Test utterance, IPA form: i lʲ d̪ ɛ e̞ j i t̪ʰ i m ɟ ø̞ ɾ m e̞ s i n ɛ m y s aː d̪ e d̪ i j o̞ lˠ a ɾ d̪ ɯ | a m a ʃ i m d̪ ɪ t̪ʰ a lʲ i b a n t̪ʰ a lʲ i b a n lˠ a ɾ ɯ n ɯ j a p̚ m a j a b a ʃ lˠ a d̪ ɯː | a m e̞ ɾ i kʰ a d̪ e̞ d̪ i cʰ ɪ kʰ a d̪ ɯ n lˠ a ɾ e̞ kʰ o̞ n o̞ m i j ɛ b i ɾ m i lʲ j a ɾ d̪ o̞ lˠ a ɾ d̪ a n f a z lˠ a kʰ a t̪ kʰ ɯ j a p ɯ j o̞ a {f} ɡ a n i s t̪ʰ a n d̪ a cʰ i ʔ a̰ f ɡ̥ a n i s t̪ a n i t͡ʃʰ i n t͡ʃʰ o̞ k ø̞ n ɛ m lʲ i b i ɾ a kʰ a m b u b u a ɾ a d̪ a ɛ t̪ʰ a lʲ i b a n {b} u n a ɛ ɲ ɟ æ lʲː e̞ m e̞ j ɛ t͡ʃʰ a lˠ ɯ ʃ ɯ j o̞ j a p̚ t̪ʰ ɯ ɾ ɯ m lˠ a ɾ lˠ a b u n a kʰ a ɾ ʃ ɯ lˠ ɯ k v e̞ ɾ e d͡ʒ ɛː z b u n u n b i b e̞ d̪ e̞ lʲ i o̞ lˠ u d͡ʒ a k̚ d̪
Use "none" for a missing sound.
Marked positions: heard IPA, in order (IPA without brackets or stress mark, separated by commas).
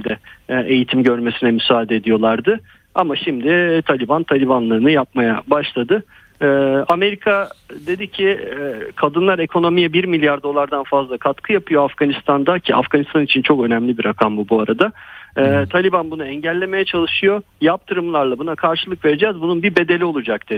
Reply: f, b